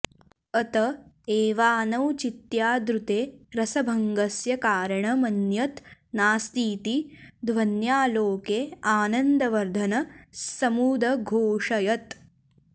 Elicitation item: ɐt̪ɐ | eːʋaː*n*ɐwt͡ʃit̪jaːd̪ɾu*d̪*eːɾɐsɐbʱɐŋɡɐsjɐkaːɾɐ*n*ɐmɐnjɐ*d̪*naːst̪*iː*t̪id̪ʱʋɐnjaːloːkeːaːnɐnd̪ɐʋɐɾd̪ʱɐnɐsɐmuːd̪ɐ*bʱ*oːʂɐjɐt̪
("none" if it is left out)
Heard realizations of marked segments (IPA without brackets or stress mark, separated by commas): n, t̪, ɳ, t̪, iː, ɡʱ